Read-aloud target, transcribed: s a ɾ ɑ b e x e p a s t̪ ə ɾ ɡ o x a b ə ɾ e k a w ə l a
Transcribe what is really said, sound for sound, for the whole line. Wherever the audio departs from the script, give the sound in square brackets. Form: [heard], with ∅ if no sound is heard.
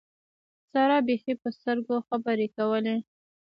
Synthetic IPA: s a ɾ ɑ b e x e p [ə] s t̪ ə ɾ ɡ o x a b ə ɾ e k a w ə l [e]